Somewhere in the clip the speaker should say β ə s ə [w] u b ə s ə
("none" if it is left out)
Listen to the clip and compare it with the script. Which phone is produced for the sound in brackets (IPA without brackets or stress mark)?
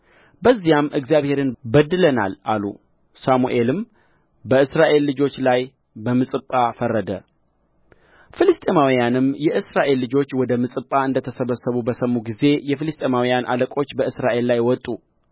β